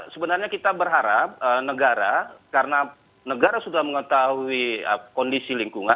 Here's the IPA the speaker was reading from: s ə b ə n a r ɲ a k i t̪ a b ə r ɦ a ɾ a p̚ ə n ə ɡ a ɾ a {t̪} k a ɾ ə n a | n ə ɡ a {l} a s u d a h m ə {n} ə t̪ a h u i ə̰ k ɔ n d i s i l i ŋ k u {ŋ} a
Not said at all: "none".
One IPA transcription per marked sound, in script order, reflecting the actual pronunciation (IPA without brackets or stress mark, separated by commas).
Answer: none, ɾ, ŋ, ŋ